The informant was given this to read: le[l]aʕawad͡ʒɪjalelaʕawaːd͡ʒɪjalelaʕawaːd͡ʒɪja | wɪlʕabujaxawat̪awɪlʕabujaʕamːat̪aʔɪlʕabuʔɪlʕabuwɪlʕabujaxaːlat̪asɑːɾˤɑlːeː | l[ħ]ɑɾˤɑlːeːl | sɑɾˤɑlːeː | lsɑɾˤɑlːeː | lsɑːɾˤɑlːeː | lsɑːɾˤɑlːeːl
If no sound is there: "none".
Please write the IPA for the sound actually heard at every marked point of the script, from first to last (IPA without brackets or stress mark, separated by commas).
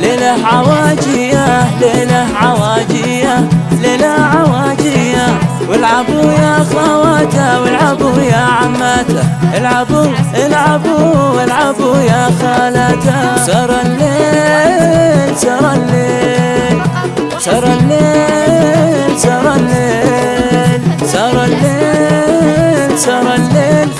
l, s